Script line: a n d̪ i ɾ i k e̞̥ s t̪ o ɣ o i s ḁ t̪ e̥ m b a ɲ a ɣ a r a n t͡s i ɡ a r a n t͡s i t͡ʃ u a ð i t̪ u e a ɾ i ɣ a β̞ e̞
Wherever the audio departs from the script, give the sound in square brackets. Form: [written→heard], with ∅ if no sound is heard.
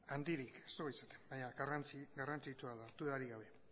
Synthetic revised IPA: a n d̪ i ɾ i k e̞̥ s t̪ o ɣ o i s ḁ t̪ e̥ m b a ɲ a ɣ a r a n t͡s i ɡ a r a n t͡s i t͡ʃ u a ð [i→a] t̪ u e a ɾ i ɣ a β̞ e̞